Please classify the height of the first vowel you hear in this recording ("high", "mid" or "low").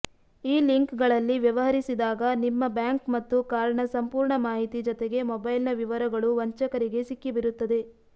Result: high